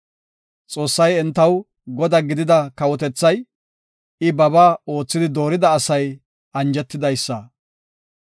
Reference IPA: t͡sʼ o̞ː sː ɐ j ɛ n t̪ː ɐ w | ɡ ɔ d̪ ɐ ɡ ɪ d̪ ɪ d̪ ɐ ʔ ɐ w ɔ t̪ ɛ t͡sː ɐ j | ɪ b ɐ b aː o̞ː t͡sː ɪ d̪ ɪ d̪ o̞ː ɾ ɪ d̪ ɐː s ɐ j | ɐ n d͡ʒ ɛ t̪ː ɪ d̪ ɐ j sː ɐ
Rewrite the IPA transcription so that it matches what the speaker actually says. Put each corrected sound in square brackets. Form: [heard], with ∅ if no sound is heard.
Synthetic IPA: t͡sʼ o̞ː sː ɐ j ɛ n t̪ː ɐ w | ɡ ɔ d̪ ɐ ɡ ɪ d̪ ɪ d̪ ɐ [k] ɐ w ɔ t̪ ɛ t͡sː ɐ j | ɪ b ɐ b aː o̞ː t͡sː ɪ d̪ ɪ d̪ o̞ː ɾ ɪ d̪ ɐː s ɐ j | ɐ n d͡ʒ ɛ t̪ː ɪ d̪ ɐ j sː ɐ